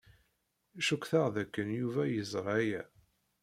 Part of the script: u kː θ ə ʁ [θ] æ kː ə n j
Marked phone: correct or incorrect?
incorrect